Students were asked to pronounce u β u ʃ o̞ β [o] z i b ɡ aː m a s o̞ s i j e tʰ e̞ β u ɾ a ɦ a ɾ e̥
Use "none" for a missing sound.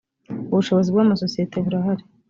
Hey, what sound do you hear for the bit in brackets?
o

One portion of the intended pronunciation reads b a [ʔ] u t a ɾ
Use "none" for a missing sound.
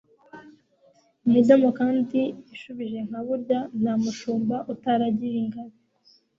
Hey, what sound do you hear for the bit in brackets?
ʔ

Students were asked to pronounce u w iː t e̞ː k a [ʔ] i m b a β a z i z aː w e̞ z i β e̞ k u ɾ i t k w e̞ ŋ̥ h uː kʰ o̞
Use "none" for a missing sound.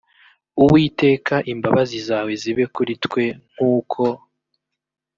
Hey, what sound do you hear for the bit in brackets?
ʔ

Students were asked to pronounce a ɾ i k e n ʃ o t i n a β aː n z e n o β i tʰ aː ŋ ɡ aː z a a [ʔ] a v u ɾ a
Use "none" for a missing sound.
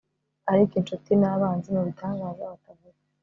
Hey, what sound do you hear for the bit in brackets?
t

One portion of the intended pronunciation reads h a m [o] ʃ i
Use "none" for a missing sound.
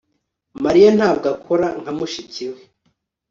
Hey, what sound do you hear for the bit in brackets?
u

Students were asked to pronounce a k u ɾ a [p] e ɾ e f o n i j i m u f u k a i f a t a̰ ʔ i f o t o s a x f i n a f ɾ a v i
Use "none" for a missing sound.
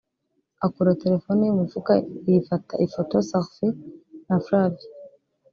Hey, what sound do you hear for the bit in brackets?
t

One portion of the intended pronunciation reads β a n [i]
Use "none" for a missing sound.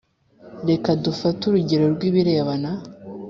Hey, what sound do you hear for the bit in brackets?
a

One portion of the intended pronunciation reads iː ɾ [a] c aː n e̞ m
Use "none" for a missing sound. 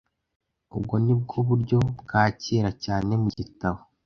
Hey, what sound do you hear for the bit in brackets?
a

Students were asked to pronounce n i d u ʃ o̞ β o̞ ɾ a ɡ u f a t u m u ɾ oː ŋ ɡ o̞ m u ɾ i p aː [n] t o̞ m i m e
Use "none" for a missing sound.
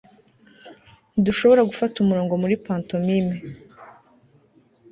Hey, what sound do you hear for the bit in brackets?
n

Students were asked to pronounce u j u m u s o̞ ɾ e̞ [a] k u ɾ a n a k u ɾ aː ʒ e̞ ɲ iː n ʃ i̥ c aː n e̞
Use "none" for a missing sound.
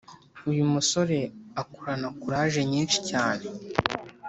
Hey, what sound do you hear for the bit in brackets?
a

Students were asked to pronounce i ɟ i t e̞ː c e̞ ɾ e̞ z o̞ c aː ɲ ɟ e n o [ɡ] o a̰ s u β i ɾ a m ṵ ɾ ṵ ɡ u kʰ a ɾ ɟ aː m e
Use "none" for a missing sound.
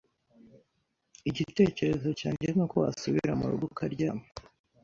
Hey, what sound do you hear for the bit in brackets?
k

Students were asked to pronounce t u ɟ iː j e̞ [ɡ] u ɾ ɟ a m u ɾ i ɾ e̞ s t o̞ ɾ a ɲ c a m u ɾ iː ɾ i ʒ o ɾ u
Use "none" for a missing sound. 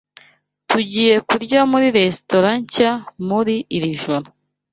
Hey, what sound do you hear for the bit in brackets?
k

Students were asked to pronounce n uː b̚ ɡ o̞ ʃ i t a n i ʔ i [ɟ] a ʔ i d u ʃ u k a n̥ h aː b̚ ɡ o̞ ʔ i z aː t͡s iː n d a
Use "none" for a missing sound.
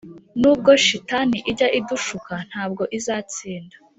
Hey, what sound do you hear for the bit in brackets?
ɟ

